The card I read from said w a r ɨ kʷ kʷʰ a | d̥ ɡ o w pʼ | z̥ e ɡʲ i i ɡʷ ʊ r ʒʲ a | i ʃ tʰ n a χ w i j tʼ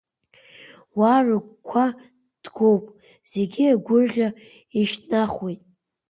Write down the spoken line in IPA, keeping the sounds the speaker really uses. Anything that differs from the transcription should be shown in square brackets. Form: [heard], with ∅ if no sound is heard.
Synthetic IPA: w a r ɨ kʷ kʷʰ a | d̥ ɡ o w pʼ | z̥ e ɡʲ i [a] ɡʷ ʊ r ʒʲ a | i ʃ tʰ n a χ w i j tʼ